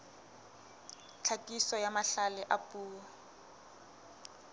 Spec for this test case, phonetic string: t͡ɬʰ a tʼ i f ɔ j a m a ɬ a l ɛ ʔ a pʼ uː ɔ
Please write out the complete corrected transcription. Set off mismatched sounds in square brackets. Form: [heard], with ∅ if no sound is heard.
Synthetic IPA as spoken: t͡ɬʰ a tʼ i [s] ɔ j a m a ɬ a l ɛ ʔ a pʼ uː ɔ

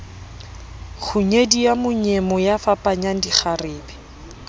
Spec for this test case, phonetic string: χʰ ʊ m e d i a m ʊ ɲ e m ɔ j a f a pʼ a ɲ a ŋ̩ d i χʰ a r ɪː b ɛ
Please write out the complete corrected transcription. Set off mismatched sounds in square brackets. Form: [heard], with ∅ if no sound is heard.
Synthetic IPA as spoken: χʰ ʊ [ɲ] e d i a m ʊ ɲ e m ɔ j a f a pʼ a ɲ a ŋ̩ d i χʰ a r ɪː b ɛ

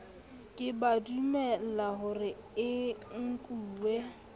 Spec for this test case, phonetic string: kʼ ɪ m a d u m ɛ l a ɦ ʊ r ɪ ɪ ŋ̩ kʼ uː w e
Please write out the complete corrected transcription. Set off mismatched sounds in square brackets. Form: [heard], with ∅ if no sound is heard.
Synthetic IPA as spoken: kʼ ɪ [b] a d u m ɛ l a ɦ ʊ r ɪ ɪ ŋ̩ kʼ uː w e

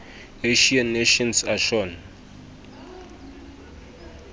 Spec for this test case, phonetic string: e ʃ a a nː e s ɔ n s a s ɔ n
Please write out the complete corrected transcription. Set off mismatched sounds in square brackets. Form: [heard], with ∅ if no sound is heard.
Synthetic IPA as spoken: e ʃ [i] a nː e [ʃ] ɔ n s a [ʃ] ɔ n

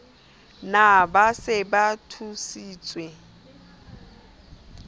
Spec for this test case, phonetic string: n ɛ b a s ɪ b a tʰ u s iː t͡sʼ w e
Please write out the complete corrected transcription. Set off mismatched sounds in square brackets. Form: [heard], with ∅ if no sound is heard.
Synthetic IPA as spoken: n [a] b a s ɪ b a tʰ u s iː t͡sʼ w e

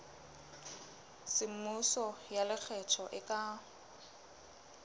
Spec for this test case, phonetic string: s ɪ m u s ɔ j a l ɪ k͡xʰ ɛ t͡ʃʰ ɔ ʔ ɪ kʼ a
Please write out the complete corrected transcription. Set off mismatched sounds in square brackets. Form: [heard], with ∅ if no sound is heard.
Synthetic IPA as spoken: s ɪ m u s ɔ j a l ɪ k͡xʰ ɛ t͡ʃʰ ɔ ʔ ɪ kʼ a

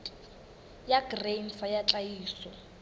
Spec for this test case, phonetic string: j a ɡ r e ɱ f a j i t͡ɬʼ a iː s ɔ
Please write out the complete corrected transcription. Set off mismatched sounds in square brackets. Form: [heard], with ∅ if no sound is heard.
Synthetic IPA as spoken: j a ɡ r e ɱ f a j [a] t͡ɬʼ a iː s ɔ

